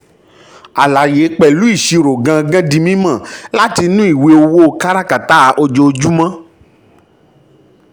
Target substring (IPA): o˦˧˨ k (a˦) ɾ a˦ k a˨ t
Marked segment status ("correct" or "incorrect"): correct